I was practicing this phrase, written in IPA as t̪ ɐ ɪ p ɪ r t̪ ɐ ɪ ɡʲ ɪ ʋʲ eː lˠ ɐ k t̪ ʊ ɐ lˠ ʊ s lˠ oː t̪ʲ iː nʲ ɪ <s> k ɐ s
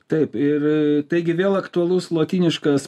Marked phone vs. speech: incorrect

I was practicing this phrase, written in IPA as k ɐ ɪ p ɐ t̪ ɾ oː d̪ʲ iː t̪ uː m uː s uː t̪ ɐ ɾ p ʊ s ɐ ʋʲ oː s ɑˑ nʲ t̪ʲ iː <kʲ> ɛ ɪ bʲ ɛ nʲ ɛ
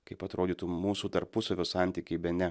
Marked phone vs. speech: correct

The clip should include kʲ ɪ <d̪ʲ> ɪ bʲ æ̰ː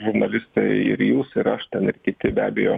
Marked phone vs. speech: incorrect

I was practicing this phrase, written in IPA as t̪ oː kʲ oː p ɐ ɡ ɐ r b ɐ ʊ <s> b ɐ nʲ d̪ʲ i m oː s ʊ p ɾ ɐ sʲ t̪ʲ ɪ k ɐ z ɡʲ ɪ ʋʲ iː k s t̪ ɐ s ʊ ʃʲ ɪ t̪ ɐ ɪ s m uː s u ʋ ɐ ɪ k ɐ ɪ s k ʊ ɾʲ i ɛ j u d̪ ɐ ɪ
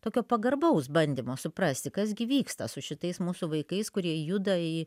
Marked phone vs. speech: correct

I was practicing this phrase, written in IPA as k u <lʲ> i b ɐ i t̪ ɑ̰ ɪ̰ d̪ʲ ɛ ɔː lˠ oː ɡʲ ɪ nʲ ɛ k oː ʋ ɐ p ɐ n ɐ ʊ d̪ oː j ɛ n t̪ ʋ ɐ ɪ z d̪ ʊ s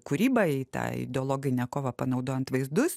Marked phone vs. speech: incorrect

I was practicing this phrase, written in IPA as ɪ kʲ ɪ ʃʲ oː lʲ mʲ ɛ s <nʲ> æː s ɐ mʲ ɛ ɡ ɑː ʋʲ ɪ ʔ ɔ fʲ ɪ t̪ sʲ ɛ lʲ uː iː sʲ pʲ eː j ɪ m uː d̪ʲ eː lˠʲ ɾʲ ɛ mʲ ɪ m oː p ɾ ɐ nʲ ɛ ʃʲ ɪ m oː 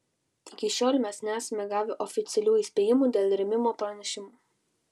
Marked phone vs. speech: correct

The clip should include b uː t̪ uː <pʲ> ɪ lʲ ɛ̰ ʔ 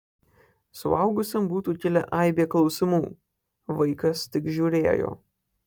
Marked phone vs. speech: incorrect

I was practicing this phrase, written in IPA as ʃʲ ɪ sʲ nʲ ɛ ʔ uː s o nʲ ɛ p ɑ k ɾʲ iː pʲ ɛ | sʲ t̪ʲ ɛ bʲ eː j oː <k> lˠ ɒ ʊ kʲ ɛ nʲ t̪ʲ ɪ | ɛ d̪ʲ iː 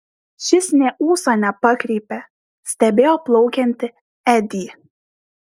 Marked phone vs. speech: incorrect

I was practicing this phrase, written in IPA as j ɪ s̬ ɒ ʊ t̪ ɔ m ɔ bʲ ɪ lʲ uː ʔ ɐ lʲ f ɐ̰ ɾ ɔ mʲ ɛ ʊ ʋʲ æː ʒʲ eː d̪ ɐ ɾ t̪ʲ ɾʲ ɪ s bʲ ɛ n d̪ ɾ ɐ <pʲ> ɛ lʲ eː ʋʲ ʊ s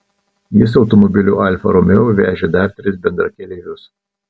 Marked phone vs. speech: incorrect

